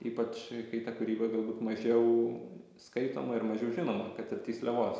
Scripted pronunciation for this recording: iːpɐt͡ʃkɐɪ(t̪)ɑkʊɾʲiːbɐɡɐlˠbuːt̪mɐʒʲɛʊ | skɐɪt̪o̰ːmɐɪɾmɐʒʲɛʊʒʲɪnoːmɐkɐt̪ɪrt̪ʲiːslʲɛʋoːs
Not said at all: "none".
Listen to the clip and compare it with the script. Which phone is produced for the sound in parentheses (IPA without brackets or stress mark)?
t̪